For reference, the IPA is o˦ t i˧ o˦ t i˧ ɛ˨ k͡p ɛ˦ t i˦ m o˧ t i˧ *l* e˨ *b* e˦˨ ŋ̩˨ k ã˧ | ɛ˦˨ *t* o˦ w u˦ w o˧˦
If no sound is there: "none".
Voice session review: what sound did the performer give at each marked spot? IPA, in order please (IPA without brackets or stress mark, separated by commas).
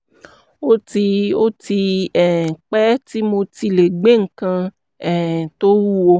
l, ɡ͡b, t